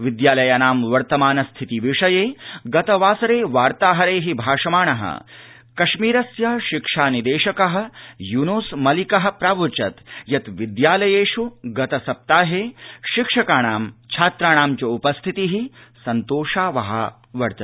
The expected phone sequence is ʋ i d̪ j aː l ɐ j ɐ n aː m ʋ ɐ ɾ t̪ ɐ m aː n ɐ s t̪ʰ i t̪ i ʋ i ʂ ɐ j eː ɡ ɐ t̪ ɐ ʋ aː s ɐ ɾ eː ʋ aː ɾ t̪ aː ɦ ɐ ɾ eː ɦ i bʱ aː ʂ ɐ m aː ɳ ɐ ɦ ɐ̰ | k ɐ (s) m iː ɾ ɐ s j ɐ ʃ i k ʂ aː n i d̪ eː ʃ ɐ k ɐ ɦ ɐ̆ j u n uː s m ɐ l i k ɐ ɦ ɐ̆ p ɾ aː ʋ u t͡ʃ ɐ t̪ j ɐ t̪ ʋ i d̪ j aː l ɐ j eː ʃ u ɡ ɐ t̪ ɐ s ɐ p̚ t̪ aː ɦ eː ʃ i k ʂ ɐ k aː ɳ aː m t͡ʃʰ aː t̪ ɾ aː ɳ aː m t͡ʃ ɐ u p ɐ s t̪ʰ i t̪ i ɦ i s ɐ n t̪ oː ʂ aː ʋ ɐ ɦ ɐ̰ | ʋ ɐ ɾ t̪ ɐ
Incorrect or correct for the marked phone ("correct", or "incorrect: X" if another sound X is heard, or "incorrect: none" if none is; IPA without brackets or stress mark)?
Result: incorrect: ʃ